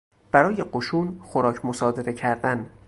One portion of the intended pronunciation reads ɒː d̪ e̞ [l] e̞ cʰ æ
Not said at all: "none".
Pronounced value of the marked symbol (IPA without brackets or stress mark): ɾ